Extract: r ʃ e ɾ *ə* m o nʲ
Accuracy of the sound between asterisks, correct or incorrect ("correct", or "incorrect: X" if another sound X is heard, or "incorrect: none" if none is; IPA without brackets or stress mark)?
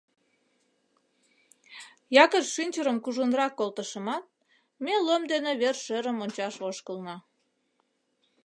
correct